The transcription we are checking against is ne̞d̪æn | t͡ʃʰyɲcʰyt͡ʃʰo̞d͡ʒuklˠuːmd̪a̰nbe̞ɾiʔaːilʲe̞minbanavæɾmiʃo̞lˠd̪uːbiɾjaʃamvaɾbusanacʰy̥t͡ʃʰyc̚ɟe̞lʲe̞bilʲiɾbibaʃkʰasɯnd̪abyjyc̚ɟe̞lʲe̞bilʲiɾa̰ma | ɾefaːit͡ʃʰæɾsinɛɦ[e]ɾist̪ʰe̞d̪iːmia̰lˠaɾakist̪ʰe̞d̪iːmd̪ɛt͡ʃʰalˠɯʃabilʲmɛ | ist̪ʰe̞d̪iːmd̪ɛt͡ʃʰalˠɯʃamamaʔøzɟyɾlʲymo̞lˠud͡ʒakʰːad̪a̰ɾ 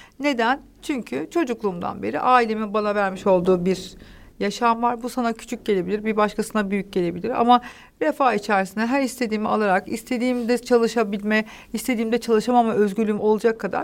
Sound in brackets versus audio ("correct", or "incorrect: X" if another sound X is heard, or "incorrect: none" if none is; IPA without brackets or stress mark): incorrect: æ